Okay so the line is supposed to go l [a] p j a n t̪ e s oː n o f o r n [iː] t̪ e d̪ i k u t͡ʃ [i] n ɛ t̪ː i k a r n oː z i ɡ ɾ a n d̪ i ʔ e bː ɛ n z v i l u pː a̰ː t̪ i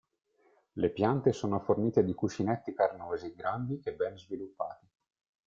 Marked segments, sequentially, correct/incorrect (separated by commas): incorrect, correct, correct